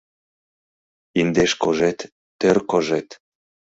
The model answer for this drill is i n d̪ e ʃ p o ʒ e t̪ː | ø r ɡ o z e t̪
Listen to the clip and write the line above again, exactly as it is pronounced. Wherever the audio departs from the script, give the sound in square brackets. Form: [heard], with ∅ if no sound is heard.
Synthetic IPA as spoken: i n d̪ e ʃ [k] o ʒ e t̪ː | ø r [k] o [ʒ] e t̪